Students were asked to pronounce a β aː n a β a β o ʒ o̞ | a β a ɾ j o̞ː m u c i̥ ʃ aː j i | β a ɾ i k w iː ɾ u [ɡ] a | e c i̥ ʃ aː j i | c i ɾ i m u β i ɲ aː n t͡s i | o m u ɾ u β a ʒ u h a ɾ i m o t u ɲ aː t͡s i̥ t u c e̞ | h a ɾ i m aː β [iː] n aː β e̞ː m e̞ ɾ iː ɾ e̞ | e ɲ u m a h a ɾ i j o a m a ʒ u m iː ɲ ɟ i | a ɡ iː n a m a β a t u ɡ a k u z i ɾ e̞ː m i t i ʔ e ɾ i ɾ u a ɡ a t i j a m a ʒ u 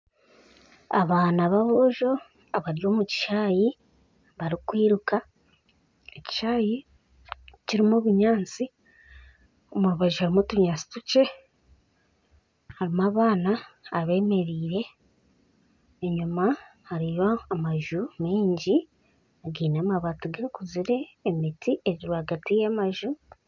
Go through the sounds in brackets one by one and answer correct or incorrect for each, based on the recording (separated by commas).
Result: incorrect, incorrect